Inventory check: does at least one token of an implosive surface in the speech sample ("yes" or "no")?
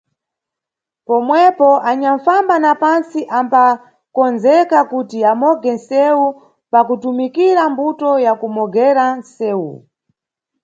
no